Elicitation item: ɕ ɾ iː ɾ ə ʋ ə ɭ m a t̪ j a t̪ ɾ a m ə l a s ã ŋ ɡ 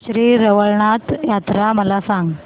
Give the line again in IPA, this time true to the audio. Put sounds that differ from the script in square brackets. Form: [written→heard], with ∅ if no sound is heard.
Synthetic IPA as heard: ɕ ɾ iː ɾ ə ʋ ə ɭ [m→ɳ] a t̪ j a t̪ ɾ a m ə l a s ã ŋ ɡ